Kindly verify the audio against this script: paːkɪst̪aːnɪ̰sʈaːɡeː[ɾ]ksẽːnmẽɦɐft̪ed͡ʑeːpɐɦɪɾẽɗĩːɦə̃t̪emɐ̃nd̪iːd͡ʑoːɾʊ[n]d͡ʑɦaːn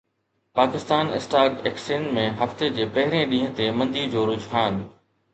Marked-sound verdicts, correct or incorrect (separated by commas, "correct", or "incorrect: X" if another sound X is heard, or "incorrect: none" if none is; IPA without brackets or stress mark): incorrect: none, incorrect: none